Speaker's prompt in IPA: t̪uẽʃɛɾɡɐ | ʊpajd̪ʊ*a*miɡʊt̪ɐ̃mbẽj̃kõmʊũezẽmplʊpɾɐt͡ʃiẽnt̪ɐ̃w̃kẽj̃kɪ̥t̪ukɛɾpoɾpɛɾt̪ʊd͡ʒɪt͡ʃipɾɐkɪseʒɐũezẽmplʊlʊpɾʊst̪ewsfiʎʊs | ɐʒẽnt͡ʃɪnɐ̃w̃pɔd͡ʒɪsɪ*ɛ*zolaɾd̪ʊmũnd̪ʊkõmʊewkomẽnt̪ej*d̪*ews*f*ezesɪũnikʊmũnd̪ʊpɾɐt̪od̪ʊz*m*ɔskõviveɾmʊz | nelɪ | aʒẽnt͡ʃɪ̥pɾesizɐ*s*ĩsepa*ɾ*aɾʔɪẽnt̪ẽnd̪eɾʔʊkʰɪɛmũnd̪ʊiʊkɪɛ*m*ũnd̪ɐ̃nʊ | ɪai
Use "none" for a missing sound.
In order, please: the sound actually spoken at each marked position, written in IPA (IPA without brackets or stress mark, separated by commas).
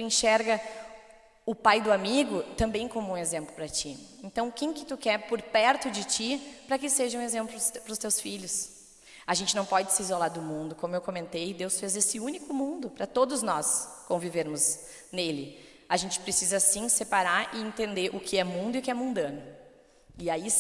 a, i, d̪, f, n, s, ɾ, m